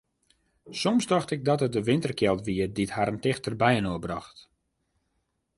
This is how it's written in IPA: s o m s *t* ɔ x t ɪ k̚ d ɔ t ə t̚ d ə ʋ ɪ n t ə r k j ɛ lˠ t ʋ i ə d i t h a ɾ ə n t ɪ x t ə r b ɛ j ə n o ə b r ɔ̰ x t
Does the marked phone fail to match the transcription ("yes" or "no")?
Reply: yes